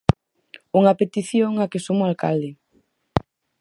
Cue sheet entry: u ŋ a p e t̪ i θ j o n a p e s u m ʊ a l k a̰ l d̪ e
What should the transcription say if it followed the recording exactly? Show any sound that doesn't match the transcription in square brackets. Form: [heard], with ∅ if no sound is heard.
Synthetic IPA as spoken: u ŋ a p e t̪ i θ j o [ŋ] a [k] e s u m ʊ a l k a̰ l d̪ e